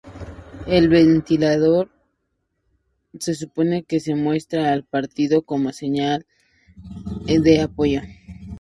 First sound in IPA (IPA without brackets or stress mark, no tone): e̞